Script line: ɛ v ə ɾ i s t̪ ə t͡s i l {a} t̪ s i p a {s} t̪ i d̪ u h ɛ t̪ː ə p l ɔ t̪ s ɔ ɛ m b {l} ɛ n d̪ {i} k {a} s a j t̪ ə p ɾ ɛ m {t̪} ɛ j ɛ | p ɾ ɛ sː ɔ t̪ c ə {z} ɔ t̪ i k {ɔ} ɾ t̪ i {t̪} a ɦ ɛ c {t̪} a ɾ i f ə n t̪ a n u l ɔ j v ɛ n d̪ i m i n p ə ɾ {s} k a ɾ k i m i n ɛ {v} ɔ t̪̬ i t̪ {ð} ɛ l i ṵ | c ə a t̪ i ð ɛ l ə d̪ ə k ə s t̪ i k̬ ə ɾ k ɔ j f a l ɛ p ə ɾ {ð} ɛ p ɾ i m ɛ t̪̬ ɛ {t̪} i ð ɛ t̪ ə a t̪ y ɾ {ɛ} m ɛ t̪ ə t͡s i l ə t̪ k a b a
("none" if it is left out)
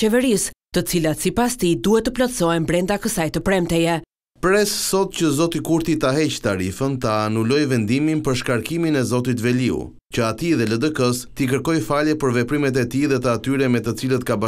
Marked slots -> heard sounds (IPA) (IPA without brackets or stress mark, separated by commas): a, s, ɾ, a, ə, t̪, z, u, t̪, t̪, ʃ, z, v, v, t̪, ɛ